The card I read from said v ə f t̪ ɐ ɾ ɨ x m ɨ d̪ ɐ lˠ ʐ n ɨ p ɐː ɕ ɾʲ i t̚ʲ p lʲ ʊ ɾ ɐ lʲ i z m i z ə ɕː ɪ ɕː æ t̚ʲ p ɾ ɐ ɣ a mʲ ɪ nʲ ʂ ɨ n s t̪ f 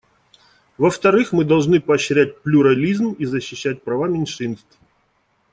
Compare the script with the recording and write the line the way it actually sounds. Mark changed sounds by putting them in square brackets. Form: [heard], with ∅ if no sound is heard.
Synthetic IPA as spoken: v ə f t̪ ɐ ɾ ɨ x m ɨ d̪ ɐ lˠ ʐ n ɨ p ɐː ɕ ɾʲ [æ] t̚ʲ p lʲ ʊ ɾ ɐ lʲ i z m i z ə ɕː ɪ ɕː æ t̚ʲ p ɾ ɐ [v] a mʲ ɪ nʲ ʂ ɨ n s t̪ f